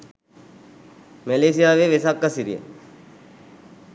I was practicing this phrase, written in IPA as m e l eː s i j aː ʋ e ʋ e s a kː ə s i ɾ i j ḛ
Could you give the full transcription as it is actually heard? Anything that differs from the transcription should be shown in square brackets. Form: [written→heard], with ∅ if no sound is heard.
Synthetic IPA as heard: m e l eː s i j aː ʋ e ʋ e s a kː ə s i ɾ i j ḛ